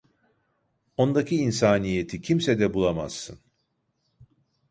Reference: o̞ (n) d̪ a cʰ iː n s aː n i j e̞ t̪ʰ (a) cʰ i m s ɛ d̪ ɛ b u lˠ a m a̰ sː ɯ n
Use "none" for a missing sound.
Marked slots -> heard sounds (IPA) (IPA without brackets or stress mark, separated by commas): n, i